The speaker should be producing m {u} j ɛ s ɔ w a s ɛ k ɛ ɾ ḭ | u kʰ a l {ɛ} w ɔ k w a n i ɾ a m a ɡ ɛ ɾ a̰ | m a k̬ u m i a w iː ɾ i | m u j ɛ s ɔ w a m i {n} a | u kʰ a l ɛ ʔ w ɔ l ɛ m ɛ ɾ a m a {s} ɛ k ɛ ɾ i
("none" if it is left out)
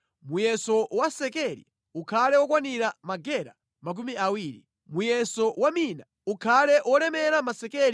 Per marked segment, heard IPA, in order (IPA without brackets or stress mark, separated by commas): u, ɛ, n, s